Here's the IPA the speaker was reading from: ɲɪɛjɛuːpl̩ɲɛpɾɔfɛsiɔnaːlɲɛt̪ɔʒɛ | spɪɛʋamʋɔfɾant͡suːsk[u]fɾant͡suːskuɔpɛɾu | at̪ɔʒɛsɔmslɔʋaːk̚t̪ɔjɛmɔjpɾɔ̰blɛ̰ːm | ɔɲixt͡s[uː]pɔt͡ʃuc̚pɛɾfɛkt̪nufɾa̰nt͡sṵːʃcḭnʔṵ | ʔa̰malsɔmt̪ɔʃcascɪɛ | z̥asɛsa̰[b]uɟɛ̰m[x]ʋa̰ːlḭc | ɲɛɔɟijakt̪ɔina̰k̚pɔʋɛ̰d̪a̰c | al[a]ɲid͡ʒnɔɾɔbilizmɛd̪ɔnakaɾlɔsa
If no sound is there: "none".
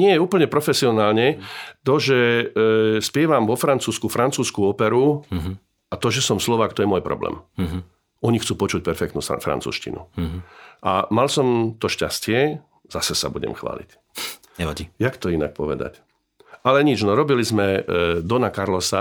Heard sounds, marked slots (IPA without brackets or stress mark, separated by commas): u, uː, b, x, ɛ